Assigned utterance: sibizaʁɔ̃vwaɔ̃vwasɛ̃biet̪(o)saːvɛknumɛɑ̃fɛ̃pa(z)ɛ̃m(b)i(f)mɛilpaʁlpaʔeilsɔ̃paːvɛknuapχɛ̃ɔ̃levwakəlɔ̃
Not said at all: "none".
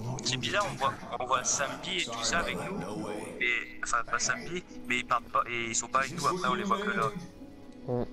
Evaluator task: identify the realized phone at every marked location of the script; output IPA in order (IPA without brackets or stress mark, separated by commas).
u, s, b, none